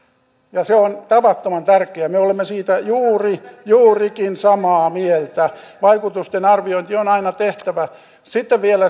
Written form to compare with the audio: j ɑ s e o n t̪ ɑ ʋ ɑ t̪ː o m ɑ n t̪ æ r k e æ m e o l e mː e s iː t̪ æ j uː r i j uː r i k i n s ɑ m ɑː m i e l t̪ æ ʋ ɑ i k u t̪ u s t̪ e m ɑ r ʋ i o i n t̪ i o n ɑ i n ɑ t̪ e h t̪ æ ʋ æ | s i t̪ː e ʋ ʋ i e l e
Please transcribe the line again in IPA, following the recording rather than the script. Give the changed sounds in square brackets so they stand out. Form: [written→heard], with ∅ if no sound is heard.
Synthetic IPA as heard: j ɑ s e o n t̪ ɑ ʋ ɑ t̪ː o m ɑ n t̪ æ r k e æ m e o l e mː e s iː t̪ æ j uː r i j uː r i k i n s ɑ m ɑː m i e l t̪ æ ʋ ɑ i k u t̪ u s t̪ e [m→n] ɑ r ʋ i o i n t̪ i o n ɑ i n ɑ t̪ e h t̪ æ ʋ æ | s i t̪ː e ʋ ʋ i e l [e→æ]